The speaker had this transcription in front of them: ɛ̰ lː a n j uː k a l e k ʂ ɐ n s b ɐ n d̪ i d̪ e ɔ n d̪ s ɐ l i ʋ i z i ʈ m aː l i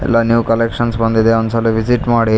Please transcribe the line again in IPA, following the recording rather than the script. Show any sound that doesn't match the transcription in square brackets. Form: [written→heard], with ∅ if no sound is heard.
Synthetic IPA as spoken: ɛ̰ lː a n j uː k [a→ɐ] l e k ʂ ɐ n s b ɐ n d̪ i d̪ e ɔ n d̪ s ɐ l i ʋ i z i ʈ m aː [l→ɽ] i